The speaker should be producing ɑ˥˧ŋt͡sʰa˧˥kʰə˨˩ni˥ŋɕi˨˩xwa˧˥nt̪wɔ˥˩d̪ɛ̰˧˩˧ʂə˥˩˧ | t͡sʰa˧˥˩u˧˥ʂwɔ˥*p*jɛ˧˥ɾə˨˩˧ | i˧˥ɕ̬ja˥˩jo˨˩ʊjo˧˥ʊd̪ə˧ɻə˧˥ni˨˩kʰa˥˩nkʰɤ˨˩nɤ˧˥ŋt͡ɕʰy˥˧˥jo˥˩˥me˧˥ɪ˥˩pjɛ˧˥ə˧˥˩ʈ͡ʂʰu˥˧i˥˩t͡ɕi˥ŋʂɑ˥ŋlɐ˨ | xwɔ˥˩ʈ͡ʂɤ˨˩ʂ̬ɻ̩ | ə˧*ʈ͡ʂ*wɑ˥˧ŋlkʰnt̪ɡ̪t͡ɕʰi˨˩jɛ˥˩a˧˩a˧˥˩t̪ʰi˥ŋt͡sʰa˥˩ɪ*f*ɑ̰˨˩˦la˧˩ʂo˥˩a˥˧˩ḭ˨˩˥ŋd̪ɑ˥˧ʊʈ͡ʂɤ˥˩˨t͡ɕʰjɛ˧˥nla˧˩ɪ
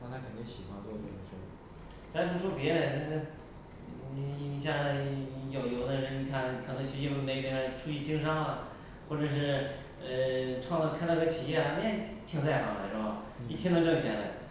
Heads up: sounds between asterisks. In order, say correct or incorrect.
correct, incorrect: ʈ͡ʂʰ, incorrect: x

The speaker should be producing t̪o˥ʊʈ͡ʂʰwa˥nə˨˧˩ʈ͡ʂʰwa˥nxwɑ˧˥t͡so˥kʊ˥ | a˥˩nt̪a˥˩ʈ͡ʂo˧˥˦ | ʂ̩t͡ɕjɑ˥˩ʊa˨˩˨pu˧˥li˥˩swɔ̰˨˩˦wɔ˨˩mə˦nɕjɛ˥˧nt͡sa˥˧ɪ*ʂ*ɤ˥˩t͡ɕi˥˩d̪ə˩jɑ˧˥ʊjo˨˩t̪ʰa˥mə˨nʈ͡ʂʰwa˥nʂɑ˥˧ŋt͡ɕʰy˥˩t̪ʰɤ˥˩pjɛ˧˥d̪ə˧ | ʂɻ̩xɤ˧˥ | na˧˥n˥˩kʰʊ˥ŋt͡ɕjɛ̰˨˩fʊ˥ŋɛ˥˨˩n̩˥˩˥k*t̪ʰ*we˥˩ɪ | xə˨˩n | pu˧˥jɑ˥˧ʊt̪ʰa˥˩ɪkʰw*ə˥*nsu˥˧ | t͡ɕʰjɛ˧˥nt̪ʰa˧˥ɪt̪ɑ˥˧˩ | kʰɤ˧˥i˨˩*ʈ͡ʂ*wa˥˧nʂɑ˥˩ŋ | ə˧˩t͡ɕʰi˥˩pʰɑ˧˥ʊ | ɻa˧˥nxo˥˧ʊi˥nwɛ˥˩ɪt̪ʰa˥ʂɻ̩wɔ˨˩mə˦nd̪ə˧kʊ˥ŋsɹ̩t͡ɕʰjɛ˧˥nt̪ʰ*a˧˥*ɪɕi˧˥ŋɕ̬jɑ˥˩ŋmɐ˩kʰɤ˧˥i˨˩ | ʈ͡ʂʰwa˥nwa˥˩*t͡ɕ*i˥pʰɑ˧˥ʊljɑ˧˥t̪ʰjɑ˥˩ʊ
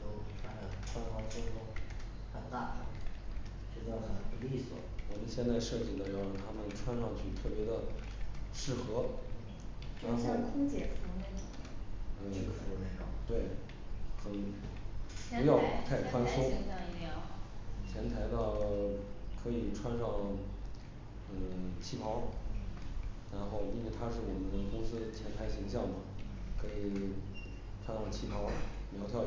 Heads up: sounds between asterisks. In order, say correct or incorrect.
correct, incorrect: t̪, incorrect: a˥, incorrect: ʈ͡ʂʰ, correct, incorrect: t͡ɕʰ

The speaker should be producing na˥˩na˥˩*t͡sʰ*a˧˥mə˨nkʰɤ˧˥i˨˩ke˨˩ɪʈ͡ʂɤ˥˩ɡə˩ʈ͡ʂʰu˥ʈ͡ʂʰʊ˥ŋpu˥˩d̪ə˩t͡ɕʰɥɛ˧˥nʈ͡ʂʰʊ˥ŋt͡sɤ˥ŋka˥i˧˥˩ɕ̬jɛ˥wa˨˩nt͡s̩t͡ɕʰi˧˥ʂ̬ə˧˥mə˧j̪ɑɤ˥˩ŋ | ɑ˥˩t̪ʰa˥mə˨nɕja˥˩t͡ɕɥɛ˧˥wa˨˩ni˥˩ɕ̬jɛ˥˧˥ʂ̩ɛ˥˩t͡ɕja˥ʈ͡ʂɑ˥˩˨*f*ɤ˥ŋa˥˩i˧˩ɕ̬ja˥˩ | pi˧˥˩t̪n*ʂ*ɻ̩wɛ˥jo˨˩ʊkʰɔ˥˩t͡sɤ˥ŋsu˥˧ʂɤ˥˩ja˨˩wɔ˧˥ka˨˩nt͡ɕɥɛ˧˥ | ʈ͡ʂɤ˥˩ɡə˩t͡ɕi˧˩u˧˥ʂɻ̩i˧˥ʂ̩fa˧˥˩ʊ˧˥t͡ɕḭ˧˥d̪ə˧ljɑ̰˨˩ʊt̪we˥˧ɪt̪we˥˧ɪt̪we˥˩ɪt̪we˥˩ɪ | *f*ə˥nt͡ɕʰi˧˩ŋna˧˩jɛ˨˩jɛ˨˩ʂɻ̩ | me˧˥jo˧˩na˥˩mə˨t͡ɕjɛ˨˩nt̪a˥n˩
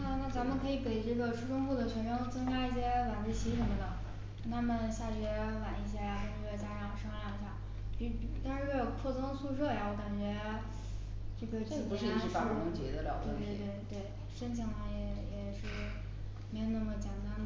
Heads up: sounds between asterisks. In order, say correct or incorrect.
incorrect: t͡s, incorrect: ʂ, correct, incorrect: ʂ

